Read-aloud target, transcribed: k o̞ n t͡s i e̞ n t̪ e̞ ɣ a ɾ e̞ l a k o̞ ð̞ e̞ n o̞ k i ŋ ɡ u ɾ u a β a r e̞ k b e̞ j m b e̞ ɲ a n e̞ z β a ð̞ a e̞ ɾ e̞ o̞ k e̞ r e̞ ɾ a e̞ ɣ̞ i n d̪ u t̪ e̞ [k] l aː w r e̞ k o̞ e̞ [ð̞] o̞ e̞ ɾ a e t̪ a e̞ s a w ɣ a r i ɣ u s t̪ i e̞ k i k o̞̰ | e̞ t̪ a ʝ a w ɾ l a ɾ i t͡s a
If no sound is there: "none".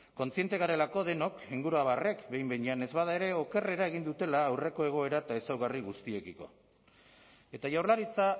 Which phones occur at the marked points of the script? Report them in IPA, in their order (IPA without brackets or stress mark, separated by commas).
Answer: none, ɣ̞